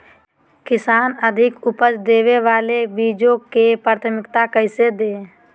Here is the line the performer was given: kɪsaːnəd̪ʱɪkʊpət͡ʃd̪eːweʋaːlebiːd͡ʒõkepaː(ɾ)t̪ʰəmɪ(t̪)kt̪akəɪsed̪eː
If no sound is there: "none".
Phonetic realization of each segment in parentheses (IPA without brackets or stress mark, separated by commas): ɾ, none